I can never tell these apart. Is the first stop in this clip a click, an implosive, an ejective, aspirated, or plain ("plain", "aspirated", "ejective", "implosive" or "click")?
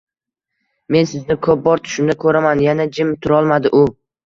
aspirated